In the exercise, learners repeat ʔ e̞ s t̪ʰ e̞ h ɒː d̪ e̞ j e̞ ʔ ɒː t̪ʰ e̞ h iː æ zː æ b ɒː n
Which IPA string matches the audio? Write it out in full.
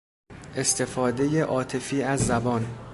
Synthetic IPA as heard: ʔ e̞ s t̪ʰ e̞ f ɒː d̪ e̞ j e̞ ʔ ɒː t̪ʰ e̞ f iː æ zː æ b ɒː n